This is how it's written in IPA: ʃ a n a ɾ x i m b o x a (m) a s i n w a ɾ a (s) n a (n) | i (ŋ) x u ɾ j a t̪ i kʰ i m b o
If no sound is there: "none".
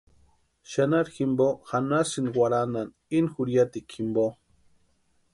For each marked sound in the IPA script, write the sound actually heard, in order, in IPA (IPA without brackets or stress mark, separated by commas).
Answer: n, none, n, n